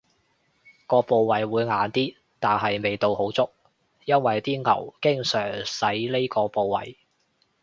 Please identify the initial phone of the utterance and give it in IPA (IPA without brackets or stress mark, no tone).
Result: k